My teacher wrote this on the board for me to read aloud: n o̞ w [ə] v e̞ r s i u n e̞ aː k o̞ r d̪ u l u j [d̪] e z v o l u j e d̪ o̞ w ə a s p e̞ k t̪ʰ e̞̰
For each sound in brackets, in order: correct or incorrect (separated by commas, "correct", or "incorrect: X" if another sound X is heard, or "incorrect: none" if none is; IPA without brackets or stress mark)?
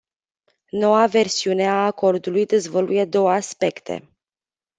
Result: incorrect: a, correct